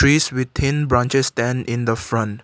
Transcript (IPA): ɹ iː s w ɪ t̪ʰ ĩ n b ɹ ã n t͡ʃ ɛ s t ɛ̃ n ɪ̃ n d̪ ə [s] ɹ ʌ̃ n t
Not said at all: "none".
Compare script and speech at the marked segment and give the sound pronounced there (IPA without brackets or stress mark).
f